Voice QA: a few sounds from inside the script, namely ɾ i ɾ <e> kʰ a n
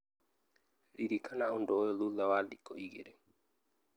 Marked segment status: incorrect: i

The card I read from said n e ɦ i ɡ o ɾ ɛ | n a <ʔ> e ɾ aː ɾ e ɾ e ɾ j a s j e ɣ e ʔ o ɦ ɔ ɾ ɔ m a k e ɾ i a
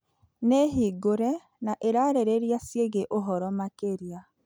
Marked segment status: correct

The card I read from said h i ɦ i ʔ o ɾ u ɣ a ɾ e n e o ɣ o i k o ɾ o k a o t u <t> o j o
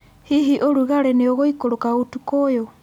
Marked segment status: incorrect: k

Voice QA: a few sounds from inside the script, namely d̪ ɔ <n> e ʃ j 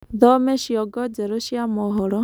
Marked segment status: incorrect: m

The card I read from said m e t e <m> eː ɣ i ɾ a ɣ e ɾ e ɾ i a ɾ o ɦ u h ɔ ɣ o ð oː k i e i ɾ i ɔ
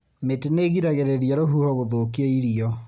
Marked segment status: incorrect: n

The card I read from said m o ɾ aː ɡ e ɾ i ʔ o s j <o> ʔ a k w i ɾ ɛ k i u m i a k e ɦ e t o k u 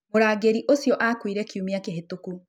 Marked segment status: incorrect: ɔ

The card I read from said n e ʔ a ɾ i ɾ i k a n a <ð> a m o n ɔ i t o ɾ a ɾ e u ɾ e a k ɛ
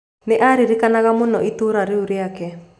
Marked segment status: incorrect: ɣ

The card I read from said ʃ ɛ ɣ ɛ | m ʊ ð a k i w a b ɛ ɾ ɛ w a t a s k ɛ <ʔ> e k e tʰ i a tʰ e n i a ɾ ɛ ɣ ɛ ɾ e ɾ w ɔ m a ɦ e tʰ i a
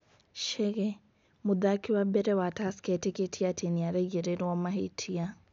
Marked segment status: incorrect: t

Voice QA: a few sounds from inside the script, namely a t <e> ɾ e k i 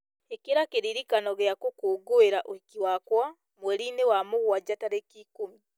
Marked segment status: incorrect: a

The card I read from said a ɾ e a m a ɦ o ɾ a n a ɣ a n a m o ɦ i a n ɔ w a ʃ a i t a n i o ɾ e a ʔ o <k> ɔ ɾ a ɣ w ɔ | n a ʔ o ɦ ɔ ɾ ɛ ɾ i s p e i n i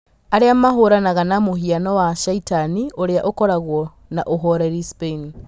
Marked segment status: correct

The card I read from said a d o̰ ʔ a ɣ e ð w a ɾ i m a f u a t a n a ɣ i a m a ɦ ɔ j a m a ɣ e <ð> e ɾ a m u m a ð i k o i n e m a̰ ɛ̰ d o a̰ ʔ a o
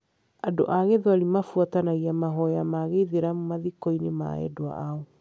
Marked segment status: correct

